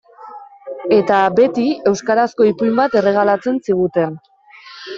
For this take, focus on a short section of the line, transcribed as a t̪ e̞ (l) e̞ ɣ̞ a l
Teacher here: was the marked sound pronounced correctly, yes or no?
no